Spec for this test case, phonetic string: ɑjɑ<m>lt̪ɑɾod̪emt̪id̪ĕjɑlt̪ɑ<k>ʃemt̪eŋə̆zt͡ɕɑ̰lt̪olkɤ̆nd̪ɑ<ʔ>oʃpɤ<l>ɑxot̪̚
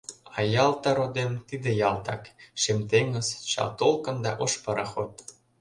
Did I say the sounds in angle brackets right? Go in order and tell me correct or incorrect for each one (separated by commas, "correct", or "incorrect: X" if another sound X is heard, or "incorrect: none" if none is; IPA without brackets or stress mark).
incorrect: none, correct, correct, incorrect: ɾ